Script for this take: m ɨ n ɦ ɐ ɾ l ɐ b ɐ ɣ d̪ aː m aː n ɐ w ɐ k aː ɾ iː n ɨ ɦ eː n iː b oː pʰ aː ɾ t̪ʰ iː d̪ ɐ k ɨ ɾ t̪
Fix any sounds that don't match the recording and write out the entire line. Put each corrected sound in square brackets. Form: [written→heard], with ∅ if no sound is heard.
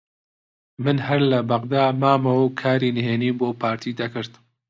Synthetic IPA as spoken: m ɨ n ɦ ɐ ɾ l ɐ b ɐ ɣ d̪ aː m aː [n→m] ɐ w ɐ [k→kʰ] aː ɾ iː n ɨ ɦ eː n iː b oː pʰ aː ɾ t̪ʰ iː d̪ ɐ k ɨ ɾ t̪